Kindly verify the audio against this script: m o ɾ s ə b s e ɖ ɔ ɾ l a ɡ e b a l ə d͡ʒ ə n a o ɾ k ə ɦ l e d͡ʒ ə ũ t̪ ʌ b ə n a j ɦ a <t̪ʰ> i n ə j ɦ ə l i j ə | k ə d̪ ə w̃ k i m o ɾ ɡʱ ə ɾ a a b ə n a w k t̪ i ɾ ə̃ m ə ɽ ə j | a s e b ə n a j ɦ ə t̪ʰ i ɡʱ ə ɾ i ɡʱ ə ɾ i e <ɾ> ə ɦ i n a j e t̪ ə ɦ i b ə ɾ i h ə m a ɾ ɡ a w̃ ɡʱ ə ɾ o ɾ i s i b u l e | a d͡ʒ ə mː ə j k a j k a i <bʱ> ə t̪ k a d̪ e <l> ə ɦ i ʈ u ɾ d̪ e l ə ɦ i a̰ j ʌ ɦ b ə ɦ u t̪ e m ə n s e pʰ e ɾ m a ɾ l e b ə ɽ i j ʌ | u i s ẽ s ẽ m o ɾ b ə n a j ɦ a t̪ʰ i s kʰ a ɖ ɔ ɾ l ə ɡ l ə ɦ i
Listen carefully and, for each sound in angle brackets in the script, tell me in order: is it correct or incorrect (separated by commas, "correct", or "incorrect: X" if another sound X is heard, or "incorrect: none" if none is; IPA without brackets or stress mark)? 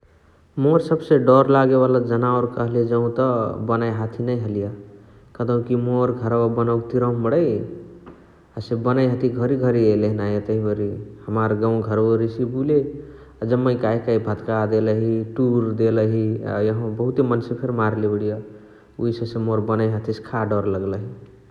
correct, incorrect: l, correct, correct